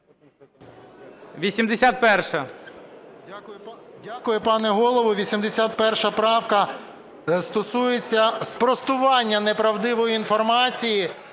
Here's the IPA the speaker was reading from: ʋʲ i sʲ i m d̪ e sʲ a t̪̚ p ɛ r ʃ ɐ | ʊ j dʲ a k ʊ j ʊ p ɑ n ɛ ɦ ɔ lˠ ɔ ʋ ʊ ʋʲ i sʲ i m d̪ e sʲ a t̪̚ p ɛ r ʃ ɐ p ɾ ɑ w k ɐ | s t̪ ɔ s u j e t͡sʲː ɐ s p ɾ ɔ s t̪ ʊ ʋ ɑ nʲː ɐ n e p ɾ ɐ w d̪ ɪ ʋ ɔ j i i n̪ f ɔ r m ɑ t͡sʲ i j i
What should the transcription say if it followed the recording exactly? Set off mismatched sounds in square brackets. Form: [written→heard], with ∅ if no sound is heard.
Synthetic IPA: ʋʲ i sʲ i m d̪ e sʲ a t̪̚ p ɛ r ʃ ɐ | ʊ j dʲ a k ʊ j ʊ p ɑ n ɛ ɦ ɔ lˠ ɔ ʋ ʊ ʋʲ i sʲ i m d̪ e sʲ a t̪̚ p ɛ r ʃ ɐ p ɾ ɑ w k ɐ | s t̪ ɔ s u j e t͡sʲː ɐ s p ɾ ɔ s t̪ ʊ ʋ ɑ nʲː ɐ n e p ɾ ɐ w d̪ ɪ ʋ ɔ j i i n̪ f ɔ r m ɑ t͡sʲ i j i